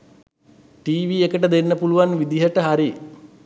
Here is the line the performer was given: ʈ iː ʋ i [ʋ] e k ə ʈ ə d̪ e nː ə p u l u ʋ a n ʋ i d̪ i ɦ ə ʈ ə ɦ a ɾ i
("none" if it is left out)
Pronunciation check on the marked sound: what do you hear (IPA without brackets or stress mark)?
none